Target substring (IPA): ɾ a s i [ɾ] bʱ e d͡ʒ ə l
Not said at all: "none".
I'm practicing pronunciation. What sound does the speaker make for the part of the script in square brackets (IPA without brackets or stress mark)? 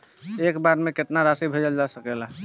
none